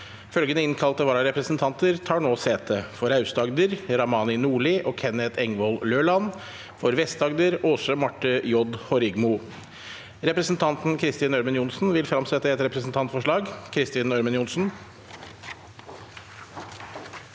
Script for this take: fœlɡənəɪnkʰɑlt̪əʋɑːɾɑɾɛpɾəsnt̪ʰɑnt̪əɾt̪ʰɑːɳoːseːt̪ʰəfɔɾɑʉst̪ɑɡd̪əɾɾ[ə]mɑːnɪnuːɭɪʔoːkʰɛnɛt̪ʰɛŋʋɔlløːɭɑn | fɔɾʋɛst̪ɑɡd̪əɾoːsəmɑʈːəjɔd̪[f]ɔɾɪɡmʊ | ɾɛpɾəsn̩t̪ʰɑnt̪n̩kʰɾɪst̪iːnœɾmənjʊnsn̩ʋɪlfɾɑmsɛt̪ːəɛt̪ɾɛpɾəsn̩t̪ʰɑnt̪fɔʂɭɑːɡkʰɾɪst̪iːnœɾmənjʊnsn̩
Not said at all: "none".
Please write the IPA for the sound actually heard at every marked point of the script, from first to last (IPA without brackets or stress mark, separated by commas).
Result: ɑ, h